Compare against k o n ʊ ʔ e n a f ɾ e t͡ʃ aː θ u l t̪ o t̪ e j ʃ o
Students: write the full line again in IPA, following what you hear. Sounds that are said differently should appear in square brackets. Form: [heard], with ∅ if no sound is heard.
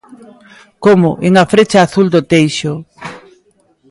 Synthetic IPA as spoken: k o [m] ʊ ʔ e [ŋ] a f ɾ e t͡ʃ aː θ u l [d̪] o t̪ e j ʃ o

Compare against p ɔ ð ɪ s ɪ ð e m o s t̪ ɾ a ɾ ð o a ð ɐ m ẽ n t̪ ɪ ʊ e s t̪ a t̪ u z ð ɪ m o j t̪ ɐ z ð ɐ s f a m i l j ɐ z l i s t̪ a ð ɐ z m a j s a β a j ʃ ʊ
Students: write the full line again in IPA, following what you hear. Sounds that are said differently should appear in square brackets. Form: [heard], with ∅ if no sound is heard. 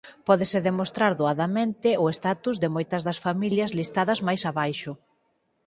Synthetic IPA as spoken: p ɔ ð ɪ s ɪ ð e m o s t̪ ɾ a ɾ ð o a ð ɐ m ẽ n t̪ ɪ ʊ e s t̪ a t̪ u z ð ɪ m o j t̪ ɐ z ð ɐ s f a m i l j ɐ z l i s t̪ a ð ɐ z m a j s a β a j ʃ ʊ

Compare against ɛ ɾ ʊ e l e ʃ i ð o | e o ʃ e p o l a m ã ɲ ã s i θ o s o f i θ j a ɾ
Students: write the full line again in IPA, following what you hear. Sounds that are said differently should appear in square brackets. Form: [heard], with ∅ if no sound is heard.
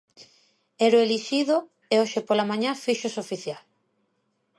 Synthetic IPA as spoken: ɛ ɾ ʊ e l [i] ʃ i ð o | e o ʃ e p o l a m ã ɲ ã [f] i [ʃ] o s o f i θ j a [l]

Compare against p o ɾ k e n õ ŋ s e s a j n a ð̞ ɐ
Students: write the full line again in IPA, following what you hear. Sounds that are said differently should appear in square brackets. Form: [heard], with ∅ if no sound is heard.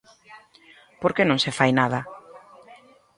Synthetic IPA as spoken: p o ɾ k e n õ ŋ s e [f] a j n a ð̞ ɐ

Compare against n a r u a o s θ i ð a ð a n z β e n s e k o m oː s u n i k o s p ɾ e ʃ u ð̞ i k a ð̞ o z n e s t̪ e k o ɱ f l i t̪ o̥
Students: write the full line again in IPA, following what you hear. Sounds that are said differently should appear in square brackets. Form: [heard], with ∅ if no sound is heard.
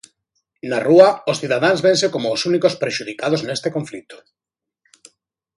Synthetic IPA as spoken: n a r u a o s θ i ð a ð a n z β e n s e k o m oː s u n i k o s p ɾ e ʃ u ð̞ i k a ð̞ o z n e s t̪ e k o ɱ f l i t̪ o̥

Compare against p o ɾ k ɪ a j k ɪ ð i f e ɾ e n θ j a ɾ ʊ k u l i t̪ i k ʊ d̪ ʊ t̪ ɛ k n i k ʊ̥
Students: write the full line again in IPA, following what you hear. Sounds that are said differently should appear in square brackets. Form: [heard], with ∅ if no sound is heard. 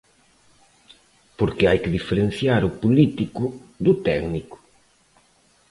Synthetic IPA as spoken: p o ɾ k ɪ a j k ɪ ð i f e ɾ e n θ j a ɾ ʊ [p] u l i t̪ i k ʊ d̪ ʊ t̪ ɛ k n i k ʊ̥

